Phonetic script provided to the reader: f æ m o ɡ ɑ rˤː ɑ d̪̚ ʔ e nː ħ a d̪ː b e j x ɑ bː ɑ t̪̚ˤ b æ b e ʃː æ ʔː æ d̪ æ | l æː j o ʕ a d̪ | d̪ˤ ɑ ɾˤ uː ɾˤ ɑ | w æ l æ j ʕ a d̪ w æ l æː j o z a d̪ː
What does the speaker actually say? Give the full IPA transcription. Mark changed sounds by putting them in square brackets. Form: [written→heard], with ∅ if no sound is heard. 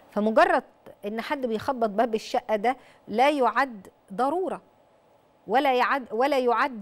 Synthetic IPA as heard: f æ m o ɡ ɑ rˤː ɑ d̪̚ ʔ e nː ħ a d̪ː b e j x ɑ bː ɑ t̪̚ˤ b æ b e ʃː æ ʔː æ d̪ æ | l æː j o ʕ a d̪ | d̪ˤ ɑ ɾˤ uː ɾˤ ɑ | w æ l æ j ʕ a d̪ w æ l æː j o [z→ʕ] a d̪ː